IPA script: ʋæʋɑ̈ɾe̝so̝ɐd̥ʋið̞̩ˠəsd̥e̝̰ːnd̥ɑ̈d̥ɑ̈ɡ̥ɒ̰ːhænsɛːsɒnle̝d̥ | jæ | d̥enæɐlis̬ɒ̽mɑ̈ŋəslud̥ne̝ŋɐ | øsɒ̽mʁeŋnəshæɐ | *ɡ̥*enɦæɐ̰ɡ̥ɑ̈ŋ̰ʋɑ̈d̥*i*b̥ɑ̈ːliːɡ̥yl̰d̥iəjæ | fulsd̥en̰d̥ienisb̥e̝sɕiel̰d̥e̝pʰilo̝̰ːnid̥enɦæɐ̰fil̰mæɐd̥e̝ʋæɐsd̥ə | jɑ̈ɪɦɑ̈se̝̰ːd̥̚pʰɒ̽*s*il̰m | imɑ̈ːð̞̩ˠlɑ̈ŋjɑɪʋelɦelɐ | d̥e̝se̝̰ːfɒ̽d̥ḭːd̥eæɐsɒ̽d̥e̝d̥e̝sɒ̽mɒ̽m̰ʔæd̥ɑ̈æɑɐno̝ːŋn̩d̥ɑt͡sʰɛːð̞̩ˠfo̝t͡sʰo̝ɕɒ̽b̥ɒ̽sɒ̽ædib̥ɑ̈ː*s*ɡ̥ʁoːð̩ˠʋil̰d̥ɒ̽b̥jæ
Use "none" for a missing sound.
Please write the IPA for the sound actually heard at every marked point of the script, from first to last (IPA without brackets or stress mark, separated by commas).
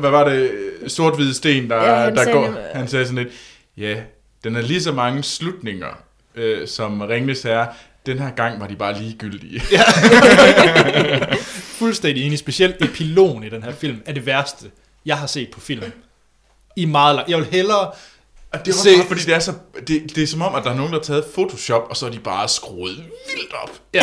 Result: d̥, i, f, s